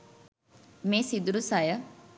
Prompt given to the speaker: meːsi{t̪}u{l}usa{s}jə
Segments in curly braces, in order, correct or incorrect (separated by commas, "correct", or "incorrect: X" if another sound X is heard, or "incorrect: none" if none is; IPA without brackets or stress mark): incorrect: d̪, incorrect: ɾ, incorrect: none